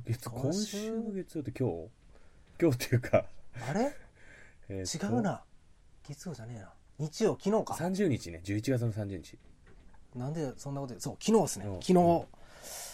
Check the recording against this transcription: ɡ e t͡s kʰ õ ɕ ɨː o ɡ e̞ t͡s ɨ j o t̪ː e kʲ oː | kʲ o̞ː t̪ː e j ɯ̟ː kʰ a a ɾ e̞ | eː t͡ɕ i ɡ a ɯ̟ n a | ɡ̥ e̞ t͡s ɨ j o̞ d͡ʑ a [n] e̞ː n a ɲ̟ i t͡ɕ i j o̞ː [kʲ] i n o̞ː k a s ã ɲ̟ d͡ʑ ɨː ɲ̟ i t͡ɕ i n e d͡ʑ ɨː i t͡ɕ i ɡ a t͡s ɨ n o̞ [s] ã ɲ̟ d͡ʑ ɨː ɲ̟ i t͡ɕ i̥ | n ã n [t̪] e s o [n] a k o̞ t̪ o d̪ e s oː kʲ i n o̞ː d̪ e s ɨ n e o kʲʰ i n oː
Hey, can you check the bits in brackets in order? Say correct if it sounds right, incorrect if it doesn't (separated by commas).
correct, correct, correct, incorrect, incorrect